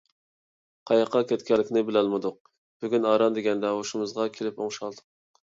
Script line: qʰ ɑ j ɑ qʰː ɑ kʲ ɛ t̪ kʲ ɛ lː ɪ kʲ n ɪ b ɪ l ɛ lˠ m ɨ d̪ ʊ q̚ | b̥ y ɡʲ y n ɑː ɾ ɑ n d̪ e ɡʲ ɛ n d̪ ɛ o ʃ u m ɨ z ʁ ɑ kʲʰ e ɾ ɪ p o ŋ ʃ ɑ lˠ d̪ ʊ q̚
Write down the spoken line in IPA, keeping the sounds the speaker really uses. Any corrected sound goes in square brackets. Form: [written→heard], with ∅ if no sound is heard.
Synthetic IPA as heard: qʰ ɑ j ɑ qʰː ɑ kʲ ɛ t̪ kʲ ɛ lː ɪ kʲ n ɪ b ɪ l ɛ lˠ m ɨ d̪ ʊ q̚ | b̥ y ɡʲ y n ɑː ɾ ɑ n d̪ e ɡʲ ɛ n d̪ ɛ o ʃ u m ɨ z ʁ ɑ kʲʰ e [ɾ→l] ɪ p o ŋ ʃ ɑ lˠ d̪ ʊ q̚